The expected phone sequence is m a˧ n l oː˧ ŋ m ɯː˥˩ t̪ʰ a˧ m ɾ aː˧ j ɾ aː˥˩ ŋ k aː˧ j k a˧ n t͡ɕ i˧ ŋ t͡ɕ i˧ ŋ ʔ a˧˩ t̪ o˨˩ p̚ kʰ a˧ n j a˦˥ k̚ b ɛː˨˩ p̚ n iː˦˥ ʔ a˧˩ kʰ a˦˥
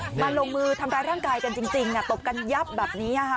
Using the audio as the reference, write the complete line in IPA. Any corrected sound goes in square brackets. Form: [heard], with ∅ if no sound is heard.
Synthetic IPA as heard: m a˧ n l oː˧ ŋ m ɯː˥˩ t̪ʰ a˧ m ɾ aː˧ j ɾ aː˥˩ ŋ k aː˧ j k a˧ n t͡ɕ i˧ ŋ t͡ɕ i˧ ŋ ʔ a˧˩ t̪ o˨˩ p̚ [k] a˧ n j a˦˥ [p̚] b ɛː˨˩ p̚ n iː˦˥ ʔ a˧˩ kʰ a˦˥